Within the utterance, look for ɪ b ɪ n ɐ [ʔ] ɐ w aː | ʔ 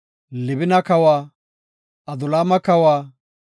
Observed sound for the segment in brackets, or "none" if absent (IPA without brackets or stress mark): k